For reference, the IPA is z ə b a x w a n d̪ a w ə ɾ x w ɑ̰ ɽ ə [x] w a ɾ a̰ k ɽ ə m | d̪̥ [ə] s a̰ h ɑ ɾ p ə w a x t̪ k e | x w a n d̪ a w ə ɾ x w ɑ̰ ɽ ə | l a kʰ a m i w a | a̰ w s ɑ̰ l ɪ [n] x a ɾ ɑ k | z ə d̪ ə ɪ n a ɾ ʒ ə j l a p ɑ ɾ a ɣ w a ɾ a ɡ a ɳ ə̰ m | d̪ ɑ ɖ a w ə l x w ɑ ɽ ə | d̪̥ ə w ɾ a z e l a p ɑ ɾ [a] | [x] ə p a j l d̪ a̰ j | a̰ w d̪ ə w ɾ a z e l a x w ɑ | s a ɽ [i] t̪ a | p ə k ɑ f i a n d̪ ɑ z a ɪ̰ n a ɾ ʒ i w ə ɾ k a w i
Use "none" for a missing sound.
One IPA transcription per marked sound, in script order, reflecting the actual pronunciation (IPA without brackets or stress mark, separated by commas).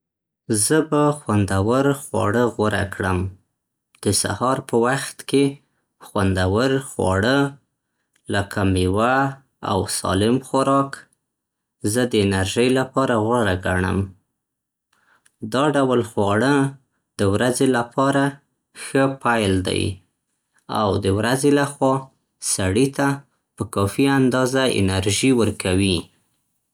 ɣ, ə, m, a, x, i